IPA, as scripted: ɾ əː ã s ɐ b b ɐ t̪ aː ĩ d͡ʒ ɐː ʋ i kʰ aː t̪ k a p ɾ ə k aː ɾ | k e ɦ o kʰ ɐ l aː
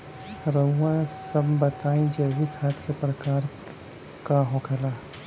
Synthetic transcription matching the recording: ɾ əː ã s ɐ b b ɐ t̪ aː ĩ d͡ʒ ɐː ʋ i kʰ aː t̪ k e p ɾ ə k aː ɾ | k a ɦ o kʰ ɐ l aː